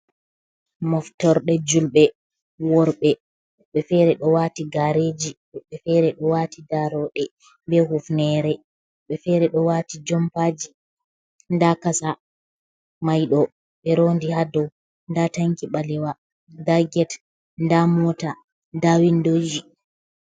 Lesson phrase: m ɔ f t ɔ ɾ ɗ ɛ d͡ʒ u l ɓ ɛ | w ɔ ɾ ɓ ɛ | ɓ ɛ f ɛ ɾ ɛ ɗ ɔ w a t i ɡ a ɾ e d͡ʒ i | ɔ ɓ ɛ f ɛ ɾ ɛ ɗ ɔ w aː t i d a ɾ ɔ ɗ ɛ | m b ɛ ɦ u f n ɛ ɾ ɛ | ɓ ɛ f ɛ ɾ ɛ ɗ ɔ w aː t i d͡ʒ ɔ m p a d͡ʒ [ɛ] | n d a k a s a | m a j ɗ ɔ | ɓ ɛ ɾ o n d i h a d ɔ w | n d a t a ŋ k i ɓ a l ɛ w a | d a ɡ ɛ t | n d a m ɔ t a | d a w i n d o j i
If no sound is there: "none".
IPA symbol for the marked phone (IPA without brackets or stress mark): i